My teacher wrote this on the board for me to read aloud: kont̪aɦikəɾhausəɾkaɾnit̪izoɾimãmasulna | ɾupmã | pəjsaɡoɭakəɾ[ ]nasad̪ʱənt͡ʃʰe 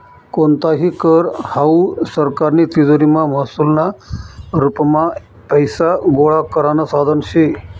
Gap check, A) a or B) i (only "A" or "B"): A